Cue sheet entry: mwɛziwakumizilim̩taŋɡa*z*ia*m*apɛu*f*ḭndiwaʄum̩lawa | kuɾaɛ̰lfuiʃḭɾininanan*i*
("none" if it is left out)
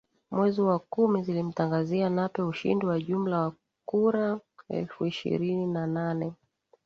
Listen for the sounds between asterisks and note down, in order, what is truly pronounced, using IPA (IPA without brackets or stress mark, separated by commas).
z, n, ʃ, ɛ